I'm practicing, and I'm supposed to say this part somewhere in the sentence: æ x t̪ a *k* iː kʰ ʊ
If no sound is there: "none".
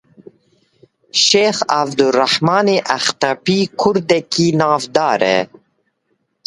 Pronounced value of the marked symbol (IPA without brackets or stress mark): p